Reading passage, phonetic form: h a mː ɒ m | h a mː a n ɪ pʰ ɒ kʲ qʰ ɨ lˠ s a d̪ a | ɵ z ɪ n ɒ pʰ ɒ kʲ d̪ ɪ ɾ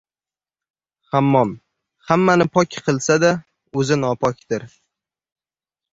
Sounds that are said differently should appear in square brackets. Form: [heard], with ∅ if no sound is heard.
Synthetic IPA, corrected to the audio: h a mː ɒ m | h a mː a n ɪ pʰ ɒ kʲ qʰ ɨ lˠ s a d̪ a | ɵ z ɪ n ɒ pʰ ɒ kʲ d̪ ɪ ɾ